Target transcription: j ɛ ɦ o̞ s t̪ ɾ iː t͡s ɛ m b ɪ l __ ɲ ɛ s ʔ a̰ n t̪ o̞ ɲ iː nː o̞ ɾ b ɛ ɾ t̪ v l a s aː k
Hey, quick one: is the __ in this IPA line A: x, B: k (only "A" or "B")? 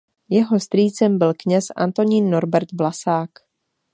B